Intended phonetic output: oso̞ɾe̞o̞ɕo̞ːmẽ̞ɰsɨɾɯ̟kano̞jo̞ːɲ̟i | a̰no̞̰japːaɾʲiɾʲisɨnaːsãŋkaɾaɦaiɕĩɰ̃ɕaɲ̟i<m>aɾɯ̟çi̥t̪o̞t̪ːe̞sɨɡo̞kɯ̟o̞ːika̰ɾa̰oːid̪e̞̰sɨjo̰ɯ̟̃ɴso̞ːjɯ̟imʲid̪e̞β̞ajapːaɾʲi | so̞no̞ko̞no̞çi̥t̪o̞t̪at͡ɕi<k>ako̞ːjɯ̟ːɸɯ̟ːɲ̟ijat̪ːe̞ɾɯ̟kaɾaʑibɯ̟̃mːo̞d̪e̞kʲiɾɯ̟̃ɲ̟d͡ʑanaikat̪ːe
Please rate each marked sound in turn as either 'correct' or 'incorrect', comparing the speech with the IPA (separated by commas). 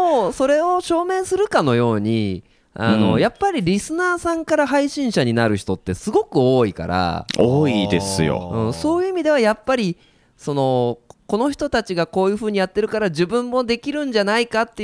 incorrect, incorrect